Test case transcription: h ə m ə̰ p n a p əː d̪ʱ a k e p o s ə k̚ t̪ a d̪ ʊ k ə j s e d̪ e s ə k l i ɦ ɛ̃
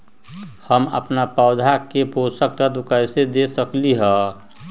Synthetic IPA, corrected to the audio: h ə m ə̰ p n a p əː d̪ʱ a k e p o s ə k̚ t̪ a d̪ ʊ k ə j s e d̪ e s ə k l i ɦ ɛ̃